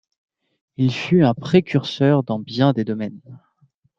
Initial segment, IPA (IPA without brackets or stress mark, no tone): i